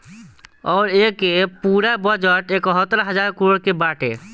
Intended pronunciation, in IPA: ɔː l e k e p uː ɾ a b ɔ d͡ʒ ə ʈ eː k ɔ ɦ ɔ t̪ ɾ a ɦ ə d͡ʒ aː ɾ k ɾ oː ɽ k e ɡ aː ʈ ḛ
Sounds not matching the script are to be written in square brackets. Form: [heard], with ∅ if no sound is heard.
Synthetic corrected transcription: ɔː [ɾ] e k e p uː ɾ a b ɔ d͡ʒ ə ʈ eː k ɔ ɦ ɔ t̪ ɾ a ɦ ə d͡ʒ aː ɾ k ɾ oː ɽ k e [b] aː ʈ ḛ